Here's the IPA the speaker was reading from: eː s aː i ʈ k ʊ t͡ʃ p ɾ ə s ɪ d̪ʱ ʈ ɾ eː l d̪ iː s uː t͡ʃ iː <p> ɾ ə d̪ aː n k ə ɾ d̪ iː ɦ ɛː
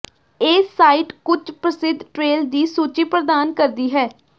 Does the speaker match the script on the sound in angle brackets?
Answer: yes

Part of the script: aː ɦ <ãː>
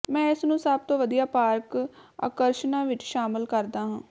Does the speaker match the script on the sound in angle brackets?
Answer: yes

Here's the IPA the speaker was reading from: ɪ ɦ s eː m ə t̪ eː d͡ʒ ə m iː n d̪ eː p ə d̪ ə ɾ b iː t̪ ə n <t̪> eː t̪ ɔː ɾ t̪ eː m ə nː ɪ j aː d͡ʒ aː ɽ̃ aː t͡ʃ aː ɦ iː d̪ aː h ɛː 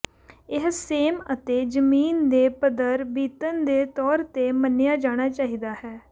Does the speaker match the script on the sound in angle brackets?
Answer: no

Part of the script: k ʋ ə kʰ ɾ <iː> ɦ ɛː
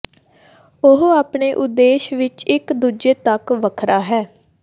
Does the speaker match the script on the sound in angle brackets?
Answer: no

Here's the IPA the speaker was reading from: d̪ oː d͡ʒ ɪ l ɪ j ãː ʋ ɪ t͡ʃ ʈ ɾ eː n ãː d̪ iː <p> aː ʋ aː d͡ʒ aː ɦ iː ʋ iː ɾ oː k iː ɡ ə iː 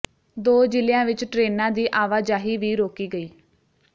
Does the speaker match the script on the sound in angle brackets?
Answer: no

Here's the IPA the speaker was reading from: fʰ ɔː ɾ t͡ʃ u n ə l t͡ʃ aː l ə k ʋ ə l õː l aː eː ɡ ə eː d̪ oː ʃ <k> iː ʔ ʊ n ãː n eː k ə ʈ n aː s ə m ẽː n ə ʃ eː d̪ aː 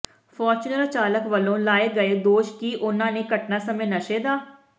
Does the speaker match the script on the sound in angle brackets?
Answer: yes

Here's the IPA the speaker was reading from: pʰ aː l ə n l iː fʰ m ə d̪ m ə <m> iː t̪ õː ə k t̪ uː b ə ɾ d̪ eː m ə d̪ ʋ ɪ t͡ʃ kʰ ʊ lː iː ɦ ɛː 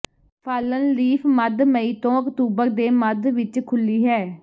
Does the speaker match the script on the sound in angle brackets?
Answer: no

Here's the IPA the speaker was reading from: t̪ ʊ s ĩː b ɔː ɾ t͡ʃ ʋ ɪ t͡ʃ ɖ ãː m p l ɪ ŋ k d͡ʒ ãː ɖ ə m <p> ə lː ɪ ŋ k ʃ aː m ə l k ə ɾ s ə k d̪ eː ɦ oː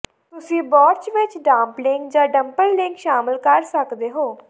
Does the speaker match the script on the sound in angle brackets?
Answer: yes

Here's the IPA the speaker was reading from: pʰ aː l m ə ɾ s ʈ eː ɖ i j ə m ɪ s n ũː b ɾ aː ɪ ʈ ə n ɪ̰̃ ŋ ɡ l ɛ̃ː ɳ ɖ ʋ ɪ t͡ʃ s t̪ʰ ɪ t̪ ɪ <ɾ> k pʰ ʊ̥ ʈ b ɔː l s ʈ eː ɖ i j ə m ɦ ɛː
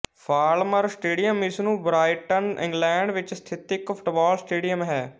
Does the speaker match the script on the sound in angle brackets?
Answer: no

